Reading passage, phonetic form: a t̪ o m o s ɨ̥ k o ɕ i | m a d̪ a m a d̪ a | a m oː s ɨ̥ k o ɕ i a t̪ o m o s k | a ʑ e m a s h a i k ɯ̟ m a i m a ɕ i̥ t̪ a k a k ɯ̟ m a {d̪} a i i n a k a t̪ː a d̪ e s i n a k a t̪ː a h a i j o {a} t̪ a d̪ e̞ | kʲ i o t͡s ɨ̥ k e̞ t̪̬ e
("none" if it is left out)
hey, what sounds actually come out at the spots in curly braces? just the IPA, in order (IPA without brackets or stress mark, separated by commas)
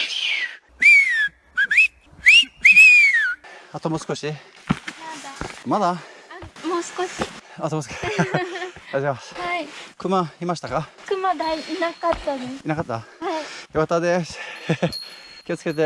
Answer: d̪, a